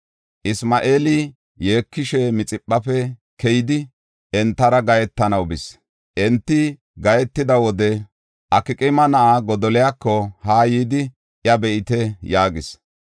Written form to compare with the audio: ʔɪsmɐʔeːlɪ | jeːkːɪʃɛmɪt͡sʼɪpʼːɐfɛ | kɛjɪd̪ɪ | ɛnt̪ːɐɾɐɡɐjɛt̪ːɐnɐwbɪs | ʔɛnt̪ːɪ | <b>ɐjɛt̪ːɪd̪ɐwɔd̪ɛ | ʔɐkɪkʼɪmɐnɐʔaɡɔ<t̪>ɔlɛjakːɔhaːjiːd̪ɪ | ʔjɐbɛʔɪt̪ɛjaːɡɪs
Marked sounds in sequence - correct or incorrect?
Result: incorrect: ɡ, incorrect: d̪

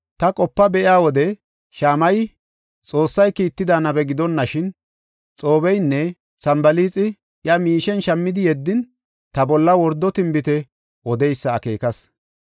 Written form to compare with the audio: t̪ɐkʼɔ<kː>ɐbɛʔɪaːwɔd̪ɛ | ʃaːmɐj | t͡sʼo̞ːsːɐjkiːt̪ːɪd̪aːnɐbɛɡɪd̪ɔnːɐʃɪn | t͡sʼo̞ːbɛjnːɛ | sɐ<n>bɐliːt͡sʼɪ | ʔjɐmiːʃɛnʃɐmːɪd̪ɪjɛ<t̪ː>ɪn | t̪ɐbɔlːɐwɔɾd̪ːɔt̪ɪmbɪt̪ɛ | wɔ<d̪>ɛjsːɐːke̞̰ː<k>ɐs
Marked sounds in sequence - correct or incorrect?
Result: incorrect: pː, incorrect: m, incorrect: d̪ː, correct, correct

